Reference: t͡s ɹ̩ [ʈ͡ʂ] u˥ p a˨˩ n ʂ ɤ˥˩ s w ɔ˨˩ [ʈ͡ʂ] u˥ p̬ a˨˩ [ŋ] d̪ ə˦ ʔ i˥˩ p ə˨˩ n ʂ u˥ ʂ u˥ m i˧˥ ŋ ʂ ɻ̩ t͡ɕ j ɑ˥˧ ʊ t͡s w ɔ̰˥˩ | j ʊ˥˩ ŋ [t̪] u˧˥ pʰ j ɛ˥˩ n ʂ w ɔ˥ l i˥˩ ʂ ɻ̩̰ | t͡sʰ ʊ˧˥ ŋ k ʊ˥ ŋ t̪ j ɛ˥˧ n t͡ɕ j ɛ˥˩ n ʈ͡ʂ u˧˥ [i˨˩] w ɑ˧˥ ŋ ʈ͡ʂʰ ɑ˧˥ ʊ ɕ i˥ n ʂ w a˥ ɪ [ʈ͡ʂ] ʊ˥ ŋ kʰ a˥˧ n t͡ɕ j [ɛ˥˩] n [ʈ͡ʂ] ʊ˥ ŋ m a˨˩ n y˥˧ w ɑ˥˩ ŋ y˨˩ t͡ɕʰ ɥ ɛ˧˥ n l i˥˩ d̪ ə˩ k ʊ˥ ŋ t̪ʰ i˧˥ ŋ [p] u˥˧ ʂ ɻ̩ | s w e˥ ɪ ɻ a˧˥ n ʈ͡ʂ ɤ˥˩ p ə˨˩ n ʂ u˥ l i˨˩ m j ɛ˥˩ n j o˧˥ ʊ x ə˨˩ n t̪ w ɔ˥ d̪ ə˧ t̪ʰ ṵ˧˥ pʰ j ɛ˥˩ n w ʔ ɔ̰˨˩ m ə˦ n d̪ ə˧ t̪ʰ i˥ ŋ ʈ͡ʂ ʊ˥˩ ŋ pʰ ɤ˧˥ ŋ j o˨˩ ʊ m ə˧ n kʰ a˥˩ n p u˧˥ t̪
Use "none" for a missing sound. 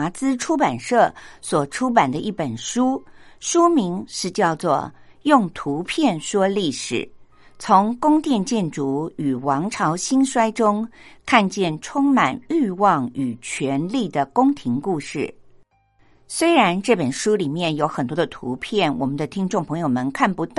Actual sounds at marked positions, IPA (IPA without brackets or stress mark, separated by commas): ʈ͡ʂʰ, ʈ͡ʂʰ, n, t̪ʰ, y˨˩, ʈ͡ʂ, ɛ˥˩, ʈ͡ʂʰ, k